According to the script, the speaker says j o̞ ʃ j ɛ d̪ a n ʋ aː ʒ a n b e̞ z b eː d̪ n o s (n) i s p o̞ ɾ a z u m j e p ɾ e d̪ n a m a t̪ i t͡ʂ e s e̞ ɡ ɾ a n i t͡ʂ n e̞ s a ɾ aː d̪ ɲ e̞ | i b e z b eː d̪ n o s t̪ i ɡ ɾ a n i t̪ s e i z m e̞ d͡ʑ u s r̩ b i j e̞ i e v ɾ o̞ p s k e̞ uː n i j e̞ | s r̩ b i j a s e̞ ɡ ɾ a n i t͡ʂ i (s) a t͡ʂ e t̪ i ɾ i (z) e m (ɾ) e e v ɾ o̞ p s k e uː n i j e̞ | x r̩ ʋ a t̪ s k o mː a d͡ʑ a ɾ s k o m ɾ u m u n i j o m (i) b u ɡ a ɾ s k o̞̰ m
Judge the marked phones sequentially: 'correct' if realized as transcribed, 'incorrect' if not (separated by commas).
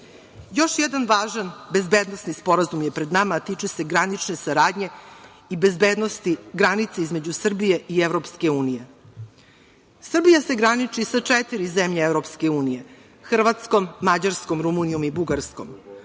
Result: correct, correct, correct, incorrect, correct